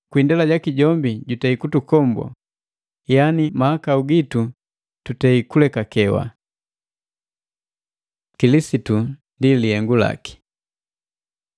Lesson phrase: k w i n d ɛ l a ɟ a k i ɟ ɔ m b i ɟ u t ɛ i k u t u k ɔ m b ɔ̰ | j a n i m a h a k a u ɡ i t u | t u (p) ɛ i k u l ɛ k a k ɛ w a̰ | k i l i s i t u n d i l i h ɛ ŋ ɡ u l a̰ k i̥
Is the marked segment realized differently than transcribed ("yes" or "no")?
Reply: yes